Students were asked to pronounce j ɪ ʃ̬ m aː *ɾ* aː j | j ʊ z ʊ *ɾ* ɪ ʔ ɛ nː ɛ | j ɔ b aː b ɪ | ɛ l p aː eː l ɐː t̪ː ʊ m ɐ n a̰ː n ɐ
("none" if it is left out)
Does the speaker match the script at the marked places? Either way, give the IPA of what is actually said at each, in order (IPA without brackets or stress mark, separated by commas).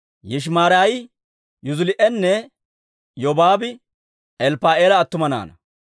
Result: ɾ, l